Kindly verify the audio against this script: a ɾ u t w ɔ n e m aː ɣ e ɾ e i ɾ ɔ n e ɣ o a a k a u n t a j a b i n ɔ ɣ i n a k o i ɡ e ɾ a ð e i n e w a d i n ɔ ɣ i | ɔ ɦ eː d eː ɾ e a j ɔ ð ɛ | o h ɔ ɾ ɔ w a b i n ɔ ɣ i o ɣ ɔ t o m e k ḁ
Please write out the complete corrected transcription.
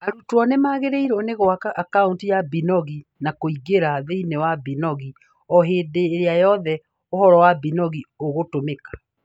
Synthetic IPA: a ɾ u t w ɔ n e m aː ɣ e ɾ e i ɾ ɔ n e ɣ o a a k a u n t i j a b i n ɔ ɣ i n a k o i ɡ e ɾ a ð e i n e w a b i n ɔ ɣ i | ɔ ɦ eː d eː ɾ e a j ɔ ð ɛ | o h ɔ ɾ ɔ w a b i n ɔ ɣ i o ɣ o t o m e k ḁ